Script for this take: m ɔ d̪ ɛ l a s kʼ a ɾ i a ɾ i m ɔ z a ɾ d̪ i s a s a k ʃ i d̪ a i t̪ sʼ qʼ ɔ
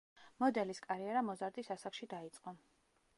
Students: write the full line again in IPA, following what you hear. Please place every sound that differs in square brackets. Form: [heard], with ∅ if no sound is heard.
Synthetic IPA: m ɔ d̪ ɛ l [i] s kʼ a ɾ i [ɛ] ɾ [a] m ɔ z a ɾ d̪ i s a s a k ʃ i d̪ a i t̪ sʼ qʼ ɔ